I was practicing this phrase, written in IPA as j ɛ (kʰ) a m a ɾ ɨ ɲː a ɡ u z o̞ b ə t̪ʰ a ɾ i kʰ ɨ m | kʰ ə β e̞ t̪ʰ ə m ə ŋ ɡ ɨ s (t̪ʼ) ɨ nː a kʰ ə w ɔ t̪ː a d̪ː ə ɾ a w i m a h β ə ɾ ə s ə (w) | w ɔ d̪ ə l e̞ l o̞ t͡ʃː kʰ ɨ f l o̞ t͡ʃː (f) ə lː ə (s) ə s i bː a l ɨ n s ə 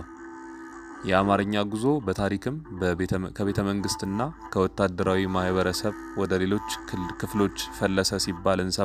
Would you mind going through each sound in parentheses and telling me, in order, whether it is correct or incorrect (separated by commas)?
incorrect, incorrect, incorrect, correct, correct